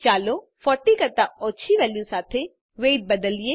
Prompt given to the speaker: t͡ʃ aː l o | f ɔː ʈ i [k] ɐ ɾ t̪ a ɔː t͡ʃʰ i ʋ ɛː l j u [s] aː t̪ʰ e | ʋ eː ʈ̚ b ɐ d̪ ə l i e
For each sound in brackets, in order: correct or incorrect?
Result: correct, correct

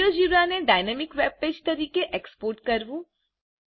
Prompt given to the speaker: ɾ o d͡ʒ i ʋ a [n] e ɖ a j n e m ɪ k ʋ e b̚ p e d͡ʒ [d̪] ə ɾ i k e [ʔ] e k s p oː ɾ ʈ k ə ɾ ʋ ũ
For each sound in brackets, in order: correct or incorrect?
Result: correct, incorrect: t̪, correct

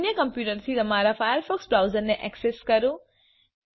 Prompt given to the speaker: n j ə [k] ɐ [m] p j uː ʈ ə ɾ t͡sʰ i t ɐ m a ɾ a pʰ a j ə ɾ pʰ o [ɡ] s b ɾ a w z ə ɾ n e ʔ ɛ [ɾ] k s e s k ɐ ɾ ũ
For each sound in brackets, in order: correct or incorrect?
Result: correct, correct, incorrect: k, incorrect: none

